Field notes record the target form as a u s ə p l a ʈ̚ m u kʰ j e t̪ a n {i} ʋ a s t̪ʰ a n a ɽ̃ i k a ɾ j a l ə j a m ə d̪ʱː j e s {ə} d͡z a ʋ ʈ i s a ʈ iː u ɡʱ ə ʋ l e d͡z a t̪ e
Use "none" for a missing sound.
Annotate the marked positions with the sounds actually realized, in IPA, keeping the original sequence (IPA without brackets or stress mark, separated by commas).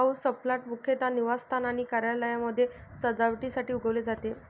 i, ə